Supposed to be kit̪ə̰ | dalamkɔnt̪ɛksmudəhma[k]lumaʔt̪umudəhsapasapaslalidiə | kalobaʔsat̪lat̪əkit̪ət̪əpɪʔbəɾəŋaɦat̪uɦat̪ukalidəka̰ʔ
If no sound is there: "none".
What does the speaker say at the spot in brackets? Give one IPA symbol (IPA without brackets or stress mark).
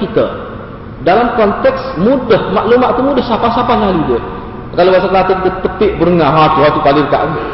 ʔ